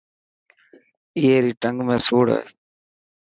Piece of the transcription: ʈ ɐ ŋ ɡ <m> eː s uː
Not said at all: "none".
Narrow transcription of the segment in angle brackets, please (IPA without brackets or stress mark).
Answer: m